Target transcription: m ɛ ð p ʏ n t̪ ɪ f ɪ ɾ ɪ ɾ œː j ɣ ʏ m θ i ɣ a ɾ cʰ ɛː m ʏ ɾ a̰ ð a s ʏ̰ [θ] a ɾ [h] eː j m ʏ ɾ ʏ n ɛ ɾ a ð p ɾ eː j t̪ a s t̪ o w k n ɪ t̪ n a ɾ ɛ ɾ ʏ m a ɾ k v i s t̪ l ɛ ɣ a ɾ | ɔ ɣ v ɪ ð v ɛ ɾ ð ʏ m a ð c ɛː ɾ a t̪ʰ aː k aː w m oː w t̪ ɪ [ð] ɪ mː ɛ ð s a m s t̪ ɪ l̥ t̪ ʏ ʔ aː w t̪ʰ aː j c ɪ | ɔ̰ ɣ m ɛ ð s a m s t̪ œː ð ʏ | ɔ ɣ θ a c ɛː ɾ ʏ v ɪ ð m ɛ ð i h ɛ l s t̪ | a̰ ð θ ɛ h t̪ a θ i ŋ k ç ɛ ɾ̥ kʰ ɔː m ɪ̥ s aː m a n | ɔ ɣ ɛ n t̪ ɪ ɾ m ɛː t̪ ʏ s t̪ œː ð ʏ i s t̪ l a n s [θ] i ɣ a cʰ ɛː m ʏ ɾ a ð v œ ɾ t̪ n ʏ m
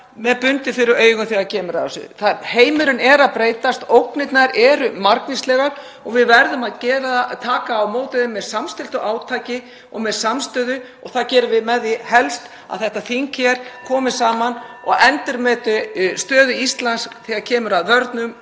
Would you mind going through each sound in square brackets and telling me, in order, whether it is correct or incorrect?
correct, correct, correct, correct

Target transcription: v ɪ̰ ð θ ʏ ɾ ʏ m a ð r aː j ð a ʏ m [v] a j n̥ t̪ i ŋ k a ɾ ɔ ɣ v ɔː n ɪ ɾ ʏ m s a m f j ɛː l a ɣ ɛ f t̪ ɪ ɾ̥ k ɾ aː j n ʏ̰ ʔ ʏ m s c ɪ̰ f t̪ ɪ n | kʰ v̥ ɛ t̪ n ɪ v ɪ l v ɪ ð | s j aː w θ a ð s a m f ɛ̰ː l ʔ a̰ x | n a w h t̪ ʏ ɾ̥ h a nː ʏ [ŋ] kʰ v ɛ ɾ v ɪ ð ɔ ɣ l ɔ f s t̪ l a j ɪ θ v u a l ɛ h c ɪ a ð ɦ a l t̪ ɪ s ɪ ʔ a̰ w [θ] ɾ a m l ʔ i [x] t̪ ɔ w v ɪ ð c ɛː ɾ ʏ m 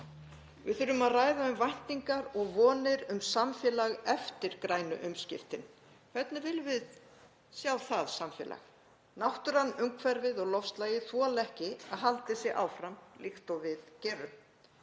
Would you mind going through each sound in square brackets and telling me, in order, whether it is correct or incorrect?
correct, correct, incorrect, correct

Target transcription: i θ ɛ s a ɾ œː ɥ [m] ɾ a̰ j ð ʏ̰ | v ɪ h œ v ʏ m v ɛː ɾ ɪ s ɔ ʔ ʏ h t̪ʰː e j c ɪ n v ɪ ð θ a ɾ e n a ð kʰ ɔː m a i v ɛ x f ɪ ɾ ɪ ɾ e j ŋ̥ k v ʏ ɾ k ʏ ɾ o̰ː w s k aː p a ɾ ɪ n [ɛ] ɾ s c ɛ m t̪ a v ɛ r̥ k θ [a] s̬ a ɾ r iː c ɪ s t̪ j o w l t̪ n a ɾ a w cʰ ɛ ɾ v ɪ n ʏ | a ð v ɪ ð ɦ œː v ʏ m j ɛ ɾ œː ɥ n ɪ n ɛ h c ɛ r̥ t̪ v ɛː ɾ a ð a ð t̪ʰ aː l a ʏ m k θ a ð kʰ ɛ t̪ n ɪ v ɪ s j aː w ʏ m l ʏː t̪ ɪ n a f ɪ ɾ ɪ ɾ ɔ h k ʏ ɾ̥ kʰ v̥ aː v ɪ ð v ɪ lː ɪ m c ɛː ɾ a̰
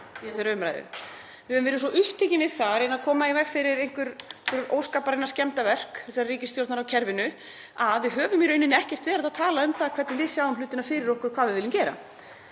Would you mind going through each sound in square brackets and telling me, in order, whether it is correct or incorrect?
correct, incorrect, incorrect

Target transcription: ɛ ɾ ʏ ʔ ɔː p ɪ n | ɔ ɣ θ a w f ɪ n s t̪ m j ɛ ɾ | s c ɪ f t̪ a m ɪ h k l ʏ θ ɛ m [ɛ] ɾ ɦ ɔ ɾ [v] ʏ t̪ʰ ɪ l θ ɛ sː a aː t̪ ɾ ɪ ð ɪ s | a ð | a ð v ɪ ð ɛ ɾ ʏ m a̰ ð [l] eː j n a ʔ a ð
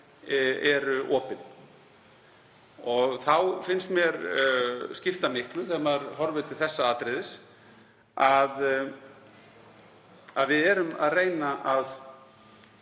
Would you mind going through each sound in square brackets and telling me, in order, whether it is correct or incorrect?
incorrect, correct, incorrect

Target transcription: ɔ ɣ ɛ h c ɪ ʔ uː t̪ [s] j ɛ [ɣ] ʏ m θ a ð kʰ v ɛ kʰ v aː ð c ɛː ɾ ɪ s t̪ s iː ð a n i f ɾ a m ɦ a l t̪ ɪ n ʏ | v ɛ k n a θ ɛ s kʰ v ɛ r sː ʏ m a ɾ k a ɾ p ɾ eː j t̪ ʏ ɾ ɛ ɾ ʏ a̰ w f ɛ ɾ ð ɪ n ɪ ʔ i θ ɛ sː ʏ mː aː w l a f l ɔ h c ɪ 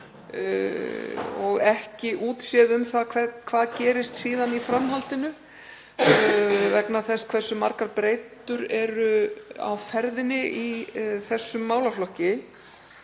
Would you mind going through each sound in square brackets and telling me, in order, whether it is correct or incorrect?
correct, incorrect

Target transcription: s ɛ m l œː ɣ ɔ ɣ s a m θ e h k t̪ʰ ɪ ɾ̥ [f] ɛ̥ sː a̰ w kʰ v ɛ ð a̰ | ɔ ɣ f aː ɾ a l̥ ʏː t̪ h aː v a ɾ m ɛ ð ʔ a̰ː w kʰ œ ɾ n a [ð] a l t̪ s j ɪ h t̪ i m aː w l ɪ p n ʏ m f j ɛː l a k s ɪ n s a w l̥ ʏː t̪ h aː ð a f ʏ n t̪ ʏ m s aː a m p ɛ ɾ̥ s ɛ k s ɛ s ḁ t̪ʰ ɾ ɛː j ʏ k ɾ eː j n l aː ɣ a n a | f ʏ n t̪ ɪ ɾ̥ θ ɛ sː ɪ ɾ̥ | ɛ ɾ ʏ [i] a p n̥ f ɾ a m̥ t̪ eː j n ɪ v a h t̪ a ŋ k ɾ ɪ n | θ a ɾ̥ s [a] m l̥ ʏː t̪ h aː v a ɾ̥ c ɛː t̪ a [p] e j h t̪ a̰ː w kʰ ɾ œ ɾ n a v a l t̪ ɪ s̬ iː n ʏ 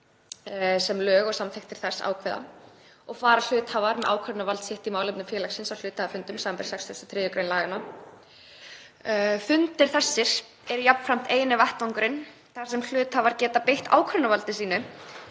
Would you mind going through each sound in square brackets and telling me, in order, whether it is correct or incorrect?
incorrect, incorrect, incorrect, incorrect, correct

